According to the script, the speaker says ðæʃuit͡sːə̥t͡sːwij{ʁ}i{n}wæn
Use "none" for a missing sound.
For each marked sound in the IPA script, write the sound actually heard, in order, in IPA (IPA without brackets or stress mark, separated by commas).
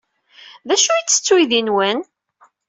ð, n